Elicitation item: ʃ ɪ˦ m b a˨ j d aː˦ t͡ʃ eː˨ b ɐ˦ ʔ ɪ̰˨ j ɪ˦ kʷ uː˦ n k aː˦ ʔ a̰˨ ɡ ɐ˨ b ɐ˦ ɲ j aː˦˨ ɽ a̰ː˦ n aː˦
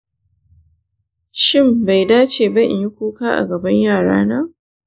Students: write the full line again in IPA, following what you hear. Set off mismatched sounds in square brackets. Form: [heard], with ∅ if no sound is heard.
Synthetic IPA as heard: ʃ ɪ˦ m b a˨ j d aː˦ t͡ʃ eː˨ b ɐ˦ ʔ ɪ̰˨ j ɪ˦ kʷ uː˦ [∅] k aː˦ ʔ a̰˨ ɡ ɐ˨ b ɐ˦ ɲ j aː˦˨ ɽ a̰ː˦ n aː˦